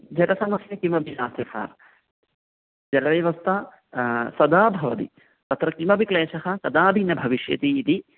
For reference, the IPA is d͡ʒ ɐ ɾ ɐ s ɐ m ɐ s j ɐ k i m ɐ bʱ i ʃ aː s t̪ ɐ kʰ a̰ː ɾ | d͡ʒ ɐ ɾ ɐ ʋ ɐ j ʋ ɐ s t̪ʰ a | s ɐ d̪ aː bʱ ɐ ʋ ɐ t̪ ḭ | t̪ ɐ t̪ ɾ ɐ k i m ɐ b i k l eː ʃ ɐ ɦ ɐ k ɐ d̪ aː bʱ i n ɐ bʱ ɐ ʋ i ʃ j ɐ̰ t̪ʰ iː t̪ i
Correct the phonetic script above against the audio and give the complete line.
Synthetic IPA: d͡ʒ ɐ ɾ ɐ s ɐ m ɐ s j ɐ k i m ɐ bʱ i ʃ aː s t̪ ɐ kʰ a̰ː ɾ | d͡ʒ ɐ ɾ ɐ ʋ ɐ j ʋ ɐ s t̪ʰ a | s ɐ d̪ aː bʱ ɐ ʋ ɐ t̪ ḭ | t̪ ɐ t̪ ɾ ɐ k i m ɐ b i k l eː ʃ ɐ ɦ ɐ k ɐ d̪ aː bʱ i n ɐ bʱ ɐ ʋ i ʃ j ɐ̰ t̪ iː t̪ i